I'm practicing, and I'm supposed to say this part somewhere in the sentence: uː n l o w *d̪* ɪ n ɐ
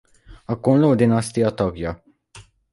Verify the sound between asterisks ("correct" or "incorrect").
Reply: correct